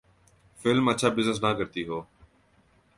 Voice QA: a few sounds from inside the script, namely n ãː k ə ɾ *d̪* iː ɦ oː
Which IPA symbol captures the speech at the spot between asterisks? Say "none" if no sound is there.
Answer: t̪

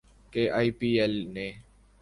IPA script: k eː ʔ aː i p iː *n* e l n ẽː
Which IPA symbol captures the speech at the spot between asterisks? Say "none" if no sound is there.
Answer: none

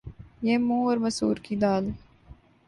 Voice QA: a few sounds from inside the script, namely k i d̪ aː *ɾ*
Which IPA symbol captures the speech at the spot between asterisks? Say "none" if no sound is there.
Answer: l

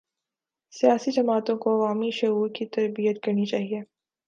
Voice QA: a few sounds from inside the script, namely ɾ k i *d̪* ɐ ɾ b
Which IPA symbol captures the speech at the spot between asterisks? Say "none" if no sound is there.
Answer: t̪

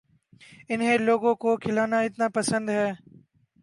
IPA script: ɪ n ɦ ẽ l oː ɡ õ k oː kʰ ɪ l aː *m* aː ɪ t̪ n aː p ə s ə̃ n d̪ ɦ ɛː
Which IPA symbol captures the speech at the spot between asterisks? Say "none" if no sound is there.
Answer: n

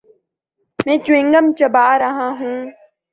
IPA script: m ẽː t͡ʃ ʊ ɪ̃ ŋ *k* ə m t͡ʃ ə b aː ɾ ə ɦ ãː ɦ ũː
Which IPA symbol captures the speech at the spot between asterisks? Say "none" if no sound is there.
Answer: ɡ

